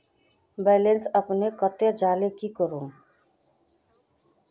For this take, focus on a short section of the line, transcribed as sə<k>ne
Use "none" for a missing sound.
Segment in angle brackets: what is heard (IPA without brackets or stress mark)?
p